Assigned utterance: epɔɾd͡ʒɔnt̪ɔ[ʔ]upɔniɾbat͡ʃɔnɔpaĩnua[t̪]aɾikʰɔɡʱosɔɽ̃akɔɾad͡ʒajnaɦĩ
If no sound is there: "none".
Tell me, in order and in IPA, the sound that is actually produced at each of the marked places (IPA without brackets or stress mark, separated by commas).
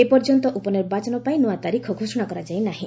ʔ, t̪